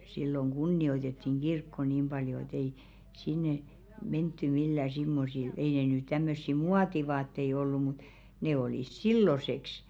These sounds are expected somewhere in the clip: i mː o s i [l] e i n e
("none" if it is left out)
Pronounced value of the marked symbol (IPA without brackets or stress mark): l